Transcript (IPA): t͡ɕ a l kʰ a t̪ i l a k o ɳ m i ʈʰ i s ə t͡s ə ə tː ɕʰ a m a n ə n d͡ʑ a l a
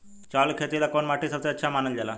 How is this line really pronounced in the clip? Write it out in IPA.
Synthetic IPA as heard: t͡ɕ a l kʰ e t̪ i l a k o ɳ m a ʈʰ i s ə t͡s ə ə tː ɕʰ a m a n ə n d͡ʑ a l a

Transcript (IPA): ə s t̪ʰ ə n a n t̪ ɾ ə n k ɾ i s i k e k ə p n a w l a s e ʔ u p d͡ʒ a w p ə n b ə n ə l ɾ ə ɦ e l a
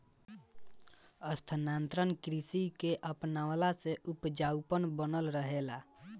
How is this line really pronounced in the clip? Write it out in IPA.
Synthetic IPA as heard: ə s t̪ʰ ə n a n t̪ ɾ ə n k ɾ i s i k e ʔ ə p n a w l a s e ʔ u p d͡ʒ a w p ə n b ə n ə l ɾ ə ɦ e l a

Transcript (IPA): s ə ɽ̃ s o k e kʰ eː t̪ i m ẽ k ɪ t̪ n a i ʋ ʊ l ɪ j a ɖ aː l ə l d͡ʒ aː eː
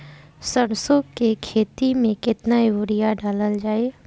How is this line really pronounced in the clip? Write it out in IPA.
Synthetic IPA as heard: s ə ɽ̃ s o k e kʰ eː t̪ i m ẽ k ɪ t̪ n a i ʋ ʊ ɾ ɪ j a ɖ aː l ə l d͡ʒ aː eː

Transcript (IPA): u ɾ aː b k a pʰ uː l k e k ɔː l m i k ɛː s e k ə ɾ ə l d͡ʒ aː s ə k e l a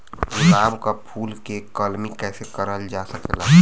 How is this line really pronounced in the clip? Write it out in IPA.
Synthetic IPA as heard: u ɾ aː b k a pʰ uː l k e k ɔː l m i k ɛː s e k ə ɾ ə l d͡ʒ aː s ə k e l a

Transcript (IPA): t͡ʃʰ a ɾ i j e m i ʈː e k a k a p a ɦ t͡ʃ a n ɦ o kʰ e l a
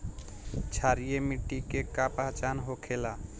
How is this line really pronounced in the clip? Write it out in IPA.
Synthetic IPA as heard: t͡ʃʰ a ɾ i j e m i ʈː i k e k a p a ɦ t͡ʃ a n ɦ o kʰ e l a

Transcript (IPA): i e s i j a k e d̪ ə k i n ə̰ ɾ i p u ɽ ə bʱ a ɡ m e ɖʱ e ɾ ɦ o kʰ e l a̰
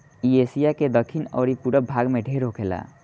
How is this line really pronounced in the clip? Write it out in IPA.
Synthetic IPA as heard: i e s i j a k e d̪ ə kʰ i n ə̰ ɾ i p u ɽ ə bʱ a ɡ m e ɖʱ e ɾ ɦ o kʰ e l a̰

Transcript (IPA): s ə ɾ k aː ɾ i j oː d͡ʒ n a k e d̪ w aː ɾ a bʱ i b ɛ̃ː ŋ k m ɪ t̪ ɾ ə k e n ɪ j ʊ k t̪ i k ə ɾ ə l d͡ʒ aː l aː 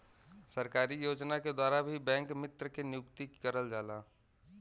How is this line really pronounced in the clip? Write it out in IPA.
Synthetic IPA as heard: s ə ɾ k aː ɾ i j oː d͡ʒ n a k e d̪ w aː ɾ a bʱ i b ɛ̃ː ŋ k m ɪ t̪ ɾ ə k e n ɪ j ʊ k t̪ i k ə ɾ ə l d͡ʒ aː l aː

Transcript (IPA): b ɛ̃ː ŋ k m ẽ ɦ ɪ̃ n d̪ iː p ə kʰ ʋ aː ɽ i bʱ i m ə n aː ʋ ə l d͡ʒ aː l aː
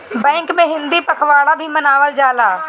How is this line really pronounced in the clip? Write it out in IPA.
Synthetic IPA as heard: b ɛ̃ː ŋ k m ẽ ɦ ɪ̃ n d̪ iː p ə kʰ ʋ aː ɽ a bʱ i m ə n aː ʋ ə l d͡ʒ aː l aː

